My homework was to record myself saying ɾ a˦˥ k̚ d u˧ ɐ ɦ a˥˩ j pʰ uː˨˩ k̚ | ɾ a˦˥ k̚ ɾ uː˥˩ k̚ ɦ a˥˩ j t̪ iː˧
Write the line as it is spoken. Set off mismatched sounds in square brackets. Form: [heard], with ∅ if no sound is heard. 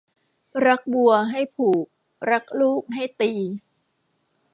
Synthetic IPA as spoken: ɾ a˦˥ k̚ [b] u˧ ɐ ɦ a˥˩ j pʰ uː˨˩ k̚ | ɾ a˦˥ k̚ [l] uː˥˩ k̚ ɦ a˥˩ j t̪ iː˧